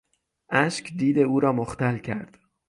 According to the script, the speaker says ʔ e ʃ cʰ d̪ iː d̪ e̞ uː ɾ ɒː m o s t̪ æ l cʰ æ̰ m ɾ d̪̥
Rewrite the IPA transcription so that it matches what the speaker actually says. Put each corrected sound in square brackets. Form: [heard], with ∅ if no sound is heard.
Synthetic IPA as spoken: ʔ [æ] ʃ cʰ d̪ iː d̪ e̞ uː ɾ ɒː m o [x] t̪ æ l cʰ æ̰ [∅] ɾ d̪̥